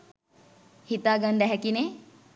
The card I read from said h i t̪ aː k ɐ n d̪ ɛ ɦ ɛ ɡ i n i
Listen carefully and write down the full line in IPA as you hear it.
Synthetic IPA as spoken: h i t̪ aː ɡ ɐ n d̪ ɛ ɦ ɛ k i n e